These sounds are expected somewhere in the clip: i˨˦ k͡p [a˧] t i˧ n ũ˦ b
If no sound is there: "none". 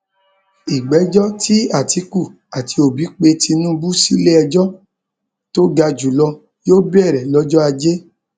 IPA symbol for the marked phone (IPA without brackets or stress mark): e˧